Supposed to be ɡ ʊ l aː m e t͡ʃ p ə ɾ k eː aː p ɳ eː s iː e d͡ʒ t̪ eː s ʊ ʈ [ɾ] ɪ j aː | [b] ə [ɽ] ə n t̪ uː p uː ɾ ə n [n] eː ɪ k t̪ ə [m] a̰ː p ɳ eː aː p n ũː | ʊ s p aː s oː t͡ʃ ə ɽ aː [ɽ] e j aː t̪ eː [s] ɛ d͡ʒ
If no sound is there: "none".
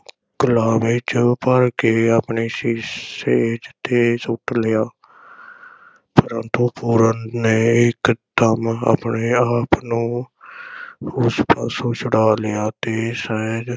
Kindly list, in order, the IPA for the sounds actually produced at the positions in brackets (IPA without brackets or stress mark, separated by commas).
l, p, ɾ, n, m, l, s